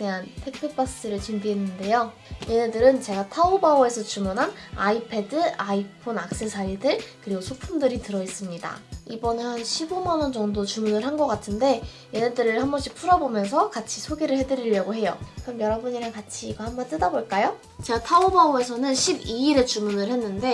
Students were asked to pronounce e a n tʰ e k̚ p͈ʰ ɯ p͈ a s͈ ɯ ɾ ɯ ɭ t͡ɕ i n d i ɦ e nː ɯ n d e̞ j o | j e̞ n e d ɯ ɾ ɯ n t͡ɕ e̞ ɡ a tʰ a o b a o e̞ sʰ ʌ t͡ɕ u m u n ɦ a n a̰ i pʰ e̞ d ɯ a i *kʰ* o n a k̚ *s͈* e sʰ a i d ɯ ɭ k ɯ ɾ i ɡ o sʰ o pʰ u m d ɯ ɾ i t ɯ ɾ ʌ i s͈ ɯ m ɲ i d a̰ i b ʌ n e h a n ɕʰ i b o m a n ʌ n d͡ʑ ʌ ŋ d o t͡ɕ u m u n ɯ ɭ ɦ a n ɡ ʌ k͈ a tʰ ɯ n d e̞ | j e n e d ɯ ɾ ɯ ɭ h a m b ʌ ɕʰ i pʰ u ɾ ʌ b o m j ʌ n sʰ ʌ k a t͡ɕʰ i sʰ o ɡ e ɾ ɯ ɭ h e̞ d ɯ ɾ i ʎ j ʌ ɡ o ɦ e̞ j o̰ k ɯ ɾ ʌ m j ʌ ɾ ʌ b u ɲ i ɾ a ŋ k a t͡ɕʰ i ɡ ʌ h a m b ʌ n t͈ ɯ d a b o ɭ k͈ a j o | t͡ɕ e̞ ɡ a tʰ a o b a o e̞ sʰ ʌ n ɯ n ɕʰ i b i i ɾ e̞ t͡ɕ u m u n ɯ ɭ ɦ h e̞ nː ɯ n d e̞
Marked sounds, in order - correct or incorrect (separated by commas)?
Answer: incorrect, correct